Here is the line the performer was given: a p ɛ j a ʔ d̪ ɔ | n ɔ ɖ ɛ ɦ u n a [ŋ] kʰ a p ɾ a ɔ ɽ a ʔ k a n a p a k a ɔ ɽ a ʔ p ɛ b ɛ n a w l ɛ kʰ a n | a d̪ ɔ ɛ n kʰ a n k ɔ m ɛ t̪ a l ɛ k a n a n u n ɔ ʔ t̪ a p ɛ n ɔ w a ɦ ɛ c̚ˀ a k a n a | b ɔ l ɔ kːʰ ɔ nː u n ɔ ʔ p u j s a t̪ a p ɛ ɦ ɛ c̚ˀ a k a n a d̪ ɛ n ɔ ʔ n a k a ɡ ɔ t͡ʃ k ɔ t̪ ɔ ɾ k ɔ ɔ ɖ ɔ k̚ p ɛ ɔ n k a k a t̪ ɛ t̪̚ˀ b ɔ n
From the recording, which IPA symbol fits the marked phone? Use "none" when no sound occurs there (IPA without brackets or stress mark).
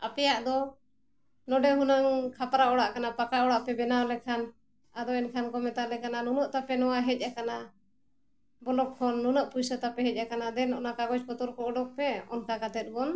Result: ŋ